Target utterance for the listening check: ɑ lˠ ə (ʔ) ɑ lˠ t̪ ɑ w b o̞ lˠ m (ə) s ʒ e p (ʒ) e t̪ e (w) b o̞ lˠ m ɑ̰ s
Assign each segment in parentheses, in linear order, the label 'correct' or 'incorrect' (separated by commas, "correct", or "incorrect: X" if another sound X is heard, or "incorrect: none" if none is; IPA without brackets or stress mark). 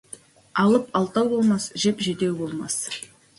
incorrect: p, incorrect: ɑ, correct, correct